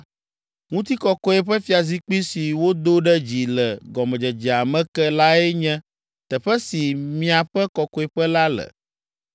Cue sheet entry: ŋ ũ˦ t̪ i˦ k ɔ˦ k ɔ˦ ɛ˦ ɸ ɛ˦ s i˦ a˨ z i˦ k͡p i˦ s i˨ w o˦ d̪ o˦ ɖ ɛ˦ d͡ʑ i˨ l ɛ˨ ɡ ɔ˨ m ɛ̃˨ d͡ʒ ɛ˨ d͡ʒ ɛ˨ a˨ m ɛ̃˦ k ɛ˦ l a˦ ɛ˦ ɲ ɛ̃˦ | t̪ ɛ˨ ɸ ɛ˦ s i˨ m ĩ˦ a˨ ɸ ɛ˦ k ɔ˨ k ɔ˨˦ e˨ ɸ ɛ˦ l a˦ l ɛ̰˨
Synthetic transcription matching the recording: ŋ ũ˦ t̪ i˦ k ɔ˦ k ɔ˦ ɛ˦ ɸ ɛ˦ f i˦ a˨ z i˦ k͡p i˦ s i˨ w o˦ d̪ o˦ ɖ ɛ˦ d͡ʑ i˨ l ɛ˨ ɡ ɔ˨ m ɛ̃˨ d͡ʒ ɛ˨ d͡ʒ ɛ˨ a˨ m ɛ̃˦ k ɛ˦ l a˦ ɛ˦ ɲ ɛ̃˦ | t̪ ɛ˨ ɸ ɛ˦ s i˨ m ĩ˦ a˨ ɸ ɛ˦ k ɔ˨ k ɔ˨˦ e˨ ɸ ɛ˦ l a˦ l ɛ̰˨